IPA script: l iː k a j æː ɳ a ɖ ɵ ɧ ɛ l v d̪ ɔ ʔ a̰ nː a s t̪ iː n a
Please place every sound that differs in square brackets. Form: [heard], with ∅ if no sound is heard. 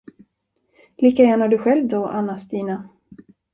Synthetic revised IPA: l iː k a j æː ɳ a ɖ ɵ ɧ ɛ l v d̪ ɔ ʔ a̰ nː a s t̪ iː n a